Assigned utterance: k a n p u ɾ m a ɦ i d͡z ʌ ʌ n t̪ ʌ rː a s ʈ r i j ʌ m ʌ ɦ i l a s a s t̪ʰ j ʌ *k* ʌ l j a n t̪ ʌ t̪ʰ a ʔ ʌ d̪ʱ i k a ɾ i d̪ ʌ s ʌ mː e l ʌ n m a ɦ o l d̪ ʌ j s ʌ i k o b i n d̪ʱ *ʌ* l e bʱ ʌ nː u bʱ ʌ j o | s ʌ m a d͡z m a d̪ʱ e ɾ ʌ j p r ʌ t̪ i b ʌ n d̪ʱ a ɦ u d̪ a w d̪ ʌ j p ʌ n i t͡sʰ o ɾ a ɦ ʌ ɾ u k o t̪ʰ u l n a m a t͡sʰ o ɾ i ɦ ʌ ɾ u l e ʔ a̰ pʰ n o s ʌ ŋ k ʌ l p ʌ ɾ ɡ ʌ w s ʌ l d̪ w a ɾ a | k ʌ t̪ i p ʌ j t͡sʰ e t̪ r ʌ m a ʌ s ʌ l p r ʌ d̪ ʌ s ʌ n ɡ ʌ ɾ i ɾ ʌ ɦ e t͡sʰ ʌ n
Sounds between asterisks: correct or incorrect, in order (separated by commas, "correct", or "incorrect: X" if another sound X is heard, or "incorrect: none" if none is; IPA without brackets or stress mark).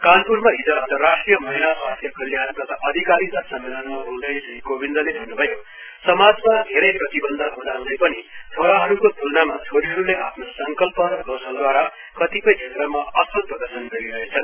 correct, correct